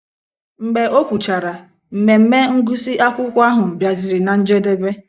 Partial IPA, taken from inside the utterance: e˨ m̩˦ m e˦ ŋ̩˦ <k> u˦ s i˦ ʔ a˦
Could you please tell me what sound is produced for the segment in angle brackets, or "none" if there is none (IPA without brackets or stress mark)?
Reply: ɡ